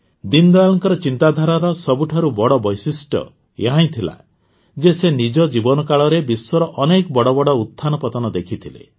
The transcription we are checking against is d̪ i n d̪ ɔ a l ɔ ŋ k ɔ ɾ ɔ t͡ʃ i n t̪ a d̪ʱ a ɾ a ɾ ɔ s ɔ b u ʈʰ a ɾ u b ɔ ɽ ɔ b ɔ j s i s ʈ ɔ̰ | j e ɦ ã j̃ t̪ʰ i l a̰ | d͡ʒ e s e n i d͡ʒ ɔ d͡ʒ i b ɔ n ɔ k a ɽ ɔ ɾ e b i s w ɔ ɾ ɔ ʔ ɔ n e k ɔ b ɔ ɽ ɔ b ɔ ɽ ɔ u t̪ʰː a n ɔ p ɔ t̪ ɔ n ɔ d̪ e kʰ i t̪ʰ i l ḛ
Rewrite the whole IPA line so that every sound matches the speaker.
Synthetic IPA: d̪ i n d̪ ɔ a l ɔ ŋ k ɔ ɾ ɔ t͡ʃ i n t̪ a d̪ʱ a ɾ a ɾ ɔ s ɔ b u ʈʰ a ɾ u b ɔ ɽ ɔ b ɔ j s i s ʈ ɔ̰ | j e ɦ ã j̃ t̪ʰ i l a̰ | d͡ʒ e s e n i d͡ʒ ɔ d͡ʒ i b ɔ n ɔ k a ɭ ɔ ɾ e b i s w ɔ ɾ ɔ ʔ ɔ n e k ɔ b ɔ ɽ ɔ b ɔ ɽ ɔ u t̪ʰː a n ɔ p ɔ t̪ ɔ n ɔ d̪ e kʰ i t̪ʰ i l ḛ